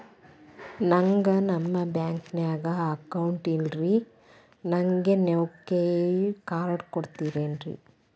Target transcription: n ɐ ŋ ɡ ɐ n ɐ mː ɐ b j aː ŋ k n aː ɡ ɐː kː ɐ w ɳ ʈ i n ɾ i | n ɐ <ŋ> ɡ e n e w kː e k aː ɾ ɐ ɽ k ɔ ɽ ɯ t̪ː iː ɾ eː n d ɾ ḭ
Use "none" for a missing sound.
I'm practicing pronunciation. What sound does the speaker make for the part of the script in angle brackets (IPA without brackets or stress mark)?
ŋ